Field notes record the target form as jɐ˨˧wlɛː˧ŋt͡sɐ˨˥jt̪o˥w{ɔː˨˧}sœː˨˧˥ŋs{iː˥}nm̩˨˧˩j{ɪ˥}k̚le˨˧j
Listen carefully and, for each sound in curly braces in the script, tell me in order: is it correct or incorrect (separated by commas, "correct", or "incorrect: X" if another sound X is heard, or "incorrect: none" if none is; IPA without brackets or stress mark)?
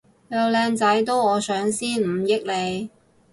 correct, correct, correct